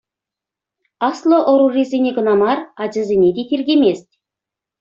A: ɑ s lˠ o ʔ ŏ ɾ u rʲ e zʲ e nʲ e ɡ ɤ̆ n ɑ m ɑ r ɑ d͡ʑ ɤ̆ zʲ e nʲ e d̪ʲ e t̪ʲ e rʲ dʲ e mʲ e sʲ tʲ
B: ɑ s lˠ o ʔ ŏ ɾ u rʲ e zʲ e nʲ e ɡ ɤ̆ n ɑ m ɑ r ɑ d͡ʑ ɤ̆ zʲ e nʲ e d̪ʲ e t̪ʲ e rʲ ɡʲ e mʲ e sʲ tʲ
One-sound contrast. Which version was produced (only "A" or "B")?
B